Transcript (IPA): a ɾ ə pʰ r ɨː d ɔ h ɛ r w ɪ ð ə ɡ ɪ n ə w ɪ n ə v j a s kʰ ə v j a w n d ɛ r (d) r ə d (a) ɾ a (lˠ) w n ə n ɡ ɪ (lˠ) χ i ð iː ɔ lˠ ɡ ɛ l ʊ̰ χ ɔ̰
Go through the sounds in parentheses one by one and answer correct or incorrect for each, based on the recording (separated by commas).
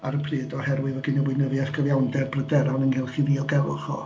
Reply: incorrect, incorrect, incorrect, correct